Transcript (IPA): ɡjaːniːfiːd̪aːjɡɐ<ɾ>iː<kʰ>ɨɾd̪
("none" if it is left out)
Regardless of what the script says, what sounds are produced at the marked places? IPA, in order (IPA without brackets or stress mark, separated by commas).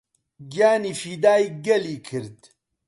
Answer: l, kʰ